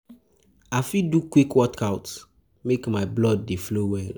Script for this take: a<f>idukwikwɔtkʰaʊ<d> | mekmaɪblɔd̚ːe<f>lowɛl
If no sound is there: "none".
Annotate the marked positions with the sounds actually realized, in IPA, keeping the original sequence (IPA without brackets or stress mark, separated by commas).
f, t, f